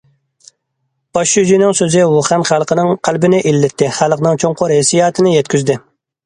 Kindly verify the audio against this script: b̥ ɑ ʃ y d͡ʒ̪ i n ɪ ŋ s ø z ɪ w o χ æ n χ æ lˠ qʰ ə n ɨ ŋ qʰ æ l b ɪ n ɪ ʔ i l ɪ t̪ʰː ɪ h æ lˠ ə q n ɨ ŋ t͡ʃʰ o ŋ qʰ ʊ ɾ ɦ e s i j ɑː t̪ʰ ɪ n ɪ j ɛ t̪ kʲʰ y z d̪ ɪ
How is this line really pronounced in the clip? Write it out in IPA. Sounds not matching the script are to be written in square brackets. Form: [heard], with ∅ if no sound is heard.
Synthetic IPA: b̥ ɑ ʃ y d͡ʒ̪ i n ɪ ŋ s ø z ɪ w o χ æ n χ æ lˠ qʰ ə n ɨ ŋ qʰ æ l b ɪ n ɪ ʔ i [lː] ɪ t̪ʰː ɪ [χ] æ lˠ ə q n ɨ ŋ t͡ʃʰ o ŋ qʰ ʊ ɾ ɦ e s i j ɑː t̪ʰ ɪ n ɪ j ɛ t̪ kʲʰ y z d̪ ɪ

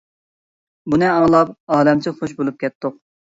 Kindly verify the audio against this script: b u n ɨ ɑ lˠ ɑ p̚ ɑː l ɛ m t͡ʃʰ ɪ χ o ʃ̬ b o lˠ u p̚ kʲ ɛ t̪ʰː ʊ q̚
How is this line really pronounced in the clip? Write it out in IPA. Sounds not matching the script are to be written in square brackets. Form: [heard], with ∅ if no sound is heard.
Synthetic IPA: b u n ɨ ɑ lˠ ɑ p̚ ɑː l ɛ m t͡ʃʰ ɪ χ o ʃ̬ b o lˠ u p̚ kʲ ɛ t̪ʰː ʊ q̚

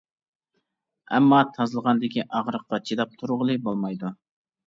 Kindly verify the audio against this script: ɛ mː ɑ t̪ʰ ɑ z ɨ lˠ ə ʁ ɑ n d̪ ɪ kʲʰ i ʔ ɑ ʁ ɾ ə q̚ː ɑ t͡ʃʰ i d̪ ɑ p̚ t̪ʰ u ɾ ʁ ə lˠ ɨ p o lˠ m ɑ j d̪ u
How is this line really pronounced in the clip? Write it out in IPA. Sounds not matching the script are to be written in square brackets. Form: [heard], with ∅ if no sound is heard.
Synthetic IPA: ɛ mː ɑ t̪ʰ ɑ z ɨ lˠ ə ʁ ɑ n d̪ ɪ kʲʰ i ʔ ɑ ʁ ɾ ə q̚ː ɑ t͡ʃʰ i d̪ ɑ p̚ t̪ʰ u ɾ ʁ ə lˠ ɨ [b] o lˠ m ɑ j d̪ u

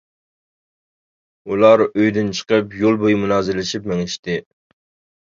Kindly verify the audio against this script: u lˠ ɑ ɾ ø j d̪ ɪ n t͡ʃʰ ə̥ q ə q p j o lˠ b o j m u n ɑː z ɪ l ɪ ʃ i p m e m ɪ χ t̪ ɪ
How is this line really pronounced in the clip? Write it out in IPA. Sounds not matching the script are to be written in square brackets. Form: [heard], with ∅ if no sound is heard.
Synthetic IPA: u lˠ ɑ ɾ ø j d̪ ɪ n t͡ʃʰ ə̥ q ə [∅] p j o lˠ b o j m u n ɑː z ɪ l ɪ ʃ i p m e [ŋ] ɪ [ʃ] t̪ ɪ

